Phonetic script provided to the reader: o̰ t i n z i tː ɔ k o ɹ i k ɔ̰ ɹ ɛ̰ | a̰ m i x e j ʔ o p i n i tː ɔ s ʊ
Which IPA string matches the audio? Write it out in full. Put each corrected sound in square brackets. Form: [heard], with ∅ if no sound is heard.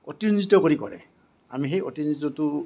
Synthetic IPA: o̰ t i n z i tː ɔ k o ɹ i k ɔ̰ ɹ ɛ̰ | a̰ m i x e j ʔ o [t] i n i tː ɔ [t] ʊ